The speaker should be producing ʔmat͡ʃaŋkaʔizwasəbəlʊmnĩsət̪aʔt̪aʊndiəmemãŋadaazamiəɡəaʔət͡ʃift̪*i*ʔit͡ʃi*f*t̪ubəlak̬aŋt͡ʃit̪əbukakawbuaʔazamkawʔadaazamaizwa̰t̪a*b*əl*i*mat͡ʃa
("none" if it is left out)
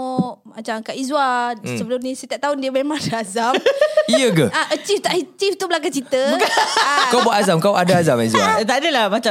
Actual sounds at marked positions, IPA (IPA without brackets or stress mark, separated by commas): a, f, d, a